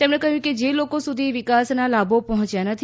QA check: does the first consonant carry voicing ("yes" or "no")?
no